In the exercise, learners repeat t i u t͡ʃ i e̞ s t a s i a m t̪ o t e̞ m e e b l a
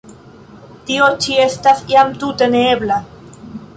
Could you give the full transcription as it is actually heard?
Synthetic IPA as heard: t i o t͡ʃ i e̞ s t a s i a m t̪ u t e̞ n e e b l a